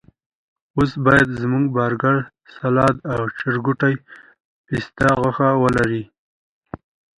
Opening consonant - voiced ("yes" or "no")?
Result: no